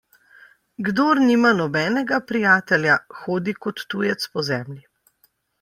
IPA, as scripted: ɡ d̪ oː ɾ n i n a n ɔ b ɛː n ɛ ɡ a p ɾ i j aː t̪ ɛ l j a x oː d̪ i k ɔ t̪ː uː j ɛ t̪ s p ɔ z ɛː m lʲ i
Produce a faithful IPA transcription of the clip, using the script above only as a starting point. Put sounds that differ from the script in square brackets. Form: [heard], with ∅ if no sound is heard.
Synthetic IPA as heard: ɡ d̪ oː ɾ n i [m] a n ɔ b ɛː n ɛ ɡ a p ɾ i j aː t̪ ɛ l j a x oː d̪ i k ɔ t̪ː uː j ɛ t̪ s p ɔ z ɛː m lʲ i